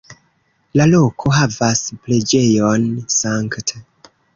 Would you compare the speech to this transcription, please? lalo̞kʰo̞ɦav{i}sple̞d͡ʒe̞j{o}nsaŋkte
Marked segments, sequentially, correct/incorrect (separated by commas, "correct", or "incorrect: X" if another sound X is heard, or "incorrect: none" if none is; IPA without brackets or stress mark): incorrect: a, correct